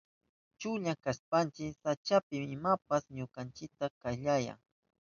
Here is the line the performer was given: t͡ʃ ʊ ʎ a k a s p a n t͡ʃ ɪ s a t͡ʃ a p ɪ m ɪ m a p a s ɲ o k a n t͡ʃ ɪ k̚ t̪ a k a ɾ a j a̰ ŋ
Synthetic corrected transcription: t͡ʃ ʊ ʎ a k a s p a n t͡ʃ ɪ s a t͡ʃ a p ɪ m ɪ m a p a s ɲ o k a n t͡ʃ ɪ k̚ t̪ a k a ʎ a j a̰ ŋ